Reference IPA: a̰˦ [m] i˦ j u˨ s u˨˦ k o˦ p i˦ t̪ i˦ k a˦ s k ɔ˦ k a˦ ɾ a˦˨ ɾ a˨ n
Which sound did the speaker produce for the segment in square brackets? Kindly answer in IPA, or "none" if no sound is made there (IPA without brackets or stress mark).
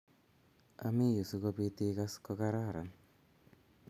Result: m